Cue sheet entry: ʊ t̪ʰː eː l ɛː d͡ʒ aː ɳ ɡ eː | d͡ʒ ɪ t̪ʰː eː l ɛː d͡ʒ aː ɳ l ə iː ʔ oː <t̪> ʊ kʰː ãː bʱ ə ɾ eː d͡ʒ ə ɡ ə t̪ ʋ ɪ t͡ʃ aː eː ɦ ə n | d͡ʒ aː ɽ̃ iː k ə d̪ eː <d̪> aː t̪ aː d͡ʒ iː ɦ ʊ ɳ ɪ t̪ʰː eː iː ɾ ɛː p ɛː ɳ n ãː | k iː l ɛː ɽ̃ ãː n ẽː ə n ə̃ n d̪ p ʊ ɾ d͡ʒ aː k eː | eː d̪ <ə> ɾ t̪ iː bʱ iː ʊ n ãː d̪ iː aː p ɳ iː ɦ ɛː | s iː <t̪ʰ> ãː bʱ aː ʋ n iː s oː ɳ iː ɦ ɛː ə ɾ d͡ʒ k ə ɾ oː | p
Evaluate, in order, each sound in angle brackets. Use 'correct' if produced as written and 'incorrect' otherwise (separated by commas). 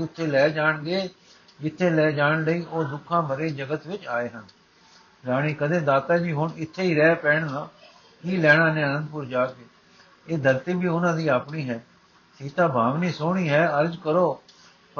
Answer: incorrect, correct, correct, incorrect